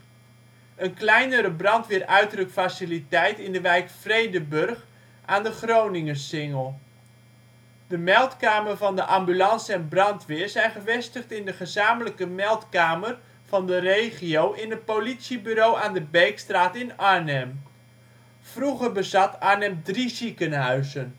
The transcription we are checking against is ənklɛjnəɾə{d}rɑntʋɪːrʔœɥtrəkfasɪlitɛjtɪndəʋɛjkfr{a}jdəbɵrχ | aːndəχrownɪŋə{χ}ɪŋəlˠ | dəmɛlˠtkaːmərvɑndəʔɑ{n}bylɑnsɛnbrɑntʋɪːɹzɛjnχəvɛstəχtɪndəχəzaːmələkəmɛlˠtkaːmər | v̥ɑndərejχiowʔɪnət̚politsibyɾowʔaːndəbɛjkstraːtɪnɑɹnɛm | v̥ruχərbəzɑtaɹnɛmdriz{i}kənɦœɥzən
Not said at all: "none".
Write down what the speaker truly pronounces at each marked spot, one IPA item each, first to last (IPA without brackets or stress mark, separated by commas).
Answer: b, e, s, m, i